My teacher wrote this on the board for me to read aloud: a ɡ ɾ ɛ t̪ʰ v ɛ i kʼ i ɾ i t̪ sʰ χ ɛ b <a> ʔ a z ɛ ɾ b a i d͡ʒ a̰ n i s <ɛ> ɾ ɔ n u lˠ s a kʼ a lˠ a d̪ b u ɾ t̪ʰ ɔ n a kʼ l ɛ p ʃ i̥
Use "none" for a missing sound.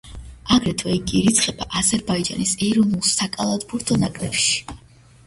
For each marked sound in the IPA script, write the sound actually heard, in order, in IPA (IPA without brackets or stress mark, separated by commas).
a, ɛ